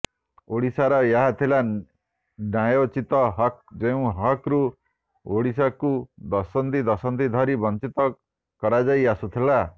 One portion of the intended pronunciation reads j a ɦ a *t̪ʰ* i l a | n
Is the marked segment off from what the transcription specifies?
no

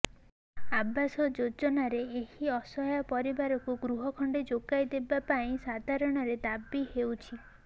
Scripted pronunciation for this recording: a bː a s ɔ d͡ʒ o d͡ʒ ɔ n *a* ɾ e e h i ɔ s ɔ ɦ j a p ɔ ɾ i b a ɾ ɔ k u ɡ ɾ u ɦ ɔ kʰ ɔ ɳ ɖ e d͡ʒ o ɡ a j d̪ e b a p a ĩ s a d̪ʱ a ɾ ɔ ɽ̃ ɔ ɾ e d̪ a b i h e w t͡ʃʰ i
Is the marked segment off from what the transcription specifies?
no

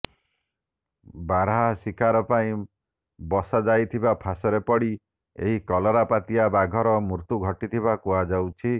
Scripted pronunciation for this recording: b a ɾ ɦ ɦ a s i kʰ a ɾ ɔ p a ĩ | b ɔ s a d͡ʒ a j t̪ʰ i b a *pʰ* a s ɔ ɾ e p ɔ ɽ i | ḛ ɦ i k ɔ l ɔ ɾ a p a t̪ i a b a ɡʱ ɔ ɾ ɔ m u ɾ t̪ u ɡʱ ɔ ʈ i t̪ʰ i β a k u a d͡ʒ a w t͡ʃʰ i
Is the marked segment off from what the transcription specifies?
no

